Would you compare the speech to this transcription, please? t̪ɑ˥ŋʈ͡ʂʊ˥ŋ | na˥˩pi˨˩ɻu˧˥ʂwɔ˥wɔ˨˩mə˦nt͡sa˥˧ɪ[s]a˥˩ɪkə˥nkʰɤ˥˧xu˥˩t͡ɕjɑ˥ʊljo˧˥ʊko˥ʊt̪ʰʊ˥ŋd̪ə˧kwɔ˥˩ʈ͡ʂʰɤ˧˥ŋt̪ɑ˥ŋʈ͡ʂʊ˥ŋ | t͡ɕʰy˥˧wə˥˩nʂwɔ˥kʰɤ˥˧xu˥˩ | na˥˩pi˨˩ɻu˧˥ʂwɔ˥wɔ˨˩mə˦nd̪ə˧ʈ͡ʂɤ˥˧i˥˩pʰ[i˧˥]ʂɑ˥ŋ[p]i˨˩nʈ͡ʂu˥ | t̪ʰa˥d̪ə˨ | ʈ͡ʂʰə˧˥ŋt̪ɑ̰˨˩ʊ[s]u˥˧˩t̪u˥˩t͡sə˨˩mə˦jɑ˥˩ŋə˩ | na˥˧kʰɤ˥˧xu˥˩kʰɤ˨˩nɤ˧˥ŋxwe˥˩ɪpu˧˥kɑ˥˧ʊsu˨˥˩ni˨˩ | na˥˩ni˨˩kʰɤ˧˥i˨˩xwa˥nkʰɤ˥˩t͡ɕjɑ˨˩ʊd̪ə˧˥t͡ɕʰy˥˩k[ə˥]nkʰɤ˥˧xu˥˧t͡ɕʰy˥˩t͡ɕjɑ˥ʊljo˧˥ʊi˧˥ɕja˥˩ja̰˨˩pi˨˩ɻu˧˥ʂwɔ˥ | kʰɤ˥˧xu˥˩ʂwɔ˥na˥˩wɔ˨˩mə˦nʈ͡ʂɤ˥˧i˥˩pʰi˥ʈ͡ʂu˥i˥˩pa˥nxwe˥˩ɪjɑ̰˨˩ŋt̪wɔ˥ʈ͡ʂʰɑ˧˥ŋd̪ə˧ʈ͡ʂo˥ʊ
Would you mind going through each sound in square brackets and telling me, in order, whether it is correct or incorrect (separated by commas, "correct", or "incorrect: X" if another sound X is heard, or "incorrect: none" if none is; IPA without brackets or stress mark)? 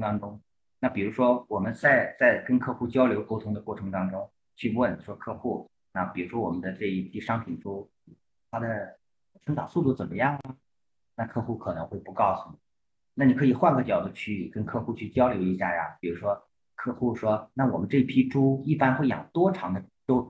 incorrect: t͡s, incorrect: i˥˩, incorrect: pʰ, correct, correct